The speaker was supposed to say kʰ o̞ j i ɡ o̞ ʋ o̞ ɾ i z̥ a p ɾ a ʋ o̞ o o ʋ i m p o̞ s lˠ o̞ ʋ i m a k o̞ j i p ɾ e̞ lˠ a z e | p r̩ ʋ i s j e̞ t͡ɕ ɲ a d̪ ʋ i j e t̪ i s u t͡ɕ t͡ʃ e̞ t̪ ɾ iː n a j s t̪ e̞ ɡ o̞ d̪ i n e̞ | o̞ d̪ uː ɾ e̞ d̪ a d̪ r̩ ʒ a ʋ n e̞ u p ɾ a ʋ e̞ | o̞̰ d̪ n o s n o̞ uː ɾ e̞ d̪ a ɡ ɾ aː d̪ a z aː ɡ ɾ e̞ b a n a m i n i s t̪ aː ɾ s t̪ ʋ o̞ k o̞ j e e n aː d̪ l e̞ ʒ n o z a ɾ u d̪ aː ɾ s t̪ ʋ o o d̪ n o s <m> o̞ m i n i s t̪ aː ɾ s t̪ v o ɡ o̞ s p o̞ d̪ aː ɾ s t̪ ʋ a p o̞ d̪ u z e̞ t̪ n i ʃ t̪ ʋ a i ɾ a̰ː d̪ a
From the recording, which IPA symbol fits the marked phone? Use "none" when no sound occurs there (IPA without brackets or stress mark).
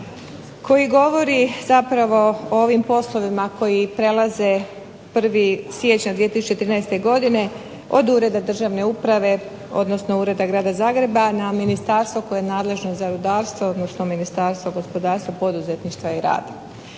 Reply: n